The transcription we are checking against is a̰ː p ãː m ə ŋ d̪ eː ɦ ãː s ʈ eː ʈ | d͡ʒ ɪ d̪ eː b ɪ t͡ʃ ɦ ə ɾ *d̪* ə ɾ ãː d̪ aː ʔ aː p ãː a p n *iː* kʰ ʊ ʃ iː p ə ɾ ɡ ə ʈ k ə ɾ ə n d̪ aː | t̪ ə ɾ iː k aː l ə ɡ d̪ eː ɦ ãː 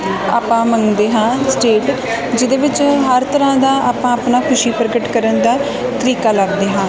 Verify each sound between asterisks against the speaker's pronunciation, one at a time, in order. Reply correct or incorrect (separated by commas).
incorrect, incorrect